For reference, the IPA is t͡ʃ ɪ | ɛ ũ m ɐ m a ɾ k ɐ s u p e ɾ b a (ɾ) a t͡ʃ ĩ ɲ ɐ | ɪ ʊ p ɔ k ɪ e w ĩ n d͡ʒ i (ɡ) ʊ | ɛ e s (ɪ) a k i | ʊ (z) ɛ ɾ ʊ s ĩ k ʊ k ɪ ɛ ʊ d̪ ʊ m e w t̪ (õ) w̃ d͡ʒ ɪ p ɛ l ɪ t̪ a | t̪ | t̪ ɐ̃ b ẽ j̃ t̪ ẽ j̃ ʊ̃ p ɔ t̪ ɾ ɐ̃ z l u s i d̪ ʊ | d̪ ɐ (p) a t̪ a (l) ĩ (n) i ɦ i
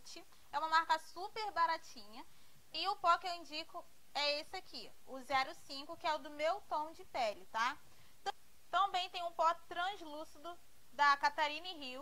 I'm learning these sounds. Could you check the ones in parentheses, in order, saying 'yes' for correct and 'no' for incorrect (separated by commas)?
yes, no, yes, yes, yes, no, no, yes